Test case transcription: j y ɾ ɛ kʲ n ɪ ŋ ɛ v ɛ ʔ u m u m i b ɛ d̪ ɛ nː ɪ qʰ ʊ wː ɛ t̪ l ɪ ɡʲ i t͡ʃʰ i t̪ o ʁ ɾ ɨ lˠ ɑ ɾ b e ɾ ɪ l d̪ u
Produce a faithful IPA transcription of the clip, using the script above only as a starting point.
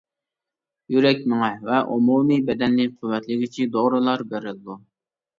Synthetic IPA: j y ɾ ɛ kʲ m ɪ ŋ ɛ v ɛ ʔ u m u m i b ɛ d̪ ɛ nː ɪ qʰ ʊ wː ɛ t̪ l ɪ ɡʲ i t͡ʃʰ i d̪ o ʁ ɾ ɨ lˠ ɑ ɾ b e ɾ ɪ l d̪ u